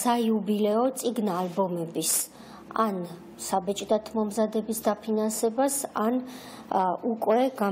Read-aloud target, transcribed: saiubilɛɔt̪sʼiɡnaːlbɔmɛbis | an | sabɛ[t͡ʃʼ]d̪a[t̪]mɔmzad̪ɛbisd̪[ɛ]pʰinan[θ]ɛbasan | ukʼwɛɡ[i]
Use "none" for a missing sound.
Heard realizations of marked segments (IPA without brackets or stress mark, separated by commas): t͡ʃʼ, t̪ʰ, a, s, a